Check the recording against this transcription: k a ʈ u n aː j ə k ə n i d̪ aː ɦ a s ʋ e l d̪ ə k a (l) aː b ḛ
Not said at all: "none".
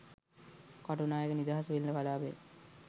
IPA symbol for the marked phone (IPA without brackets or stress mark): l